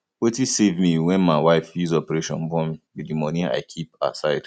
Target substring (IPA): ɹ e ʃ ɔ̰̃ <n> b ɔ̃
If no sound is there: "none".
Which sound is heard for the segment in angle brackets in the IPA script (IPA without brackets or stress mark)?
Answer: n